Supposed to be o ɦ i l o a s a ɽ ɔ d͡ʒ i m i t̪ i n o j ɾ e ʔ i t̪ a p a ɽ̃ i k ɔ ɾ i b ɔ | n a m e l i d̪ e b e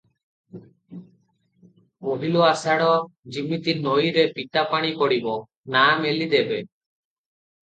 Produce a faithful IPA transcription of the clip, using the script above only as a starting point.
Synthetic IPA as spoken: o ɦ i l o a s a ɽ ɔ d͡ʒ i m i t̪ i n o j ɾ e p i t̪ a p a ɽ̃ i k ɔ ɽ i b ɔ | n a m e l i d̪ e b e